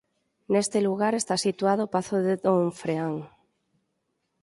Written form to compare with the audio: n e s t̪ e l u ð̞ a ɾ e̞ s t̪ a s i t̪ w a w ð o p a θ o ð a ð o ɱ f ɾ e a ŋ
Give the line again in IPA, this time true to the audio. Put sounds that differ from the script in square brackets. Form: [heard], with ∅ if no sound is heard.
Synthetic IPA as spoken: n e s t̪ e l u [ɣ̞] a ɾ e̞ s t̪ a s i t̪ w a [∅] ð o p a θ o ð [e] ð o ɱ f ɾ e a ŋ